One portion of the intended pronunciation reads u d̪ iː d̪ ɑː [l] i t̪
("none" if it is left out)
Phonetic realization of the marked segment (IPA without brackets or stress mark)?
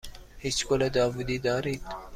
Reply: ɾ